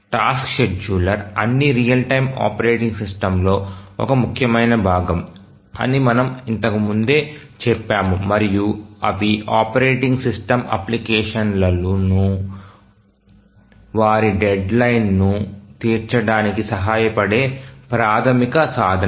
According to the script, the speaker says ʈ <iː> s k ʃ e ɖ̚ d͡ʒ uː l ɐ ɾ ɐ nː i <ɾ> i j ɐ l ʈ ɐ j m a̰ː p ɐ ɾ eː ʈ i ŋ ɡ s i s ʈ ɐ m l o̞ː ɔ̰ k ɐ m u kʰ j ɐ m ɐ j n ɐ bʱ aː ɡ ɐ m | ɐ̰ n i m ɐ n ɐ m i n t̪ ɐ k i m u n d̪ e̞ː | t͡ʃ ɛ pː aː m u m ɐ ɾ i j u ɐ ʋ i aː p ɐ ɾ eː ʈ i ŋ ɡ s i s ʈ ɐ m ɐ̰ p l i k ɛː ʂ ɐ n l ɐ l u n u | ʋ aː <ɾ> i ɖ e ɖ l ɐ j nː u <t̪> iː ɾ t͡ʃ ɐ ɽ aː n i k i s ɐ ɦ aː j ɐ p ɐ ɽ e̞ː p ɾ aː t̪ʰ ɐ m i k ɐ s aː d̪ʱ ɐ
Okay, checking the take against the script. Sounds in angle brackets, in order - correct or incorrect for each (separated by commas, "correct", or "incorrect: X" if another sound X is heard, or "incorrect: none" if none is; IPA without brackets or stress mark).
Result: incorrect: aː, correct, correct, correct